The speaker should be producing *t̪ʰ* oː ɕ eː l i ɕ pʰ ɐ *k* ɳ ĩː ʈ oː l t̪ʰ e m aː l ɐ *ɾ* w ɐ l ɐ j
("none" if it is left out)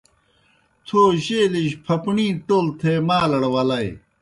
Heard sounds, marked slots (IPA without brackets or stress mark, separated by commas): t̪ʰ, p, ɽ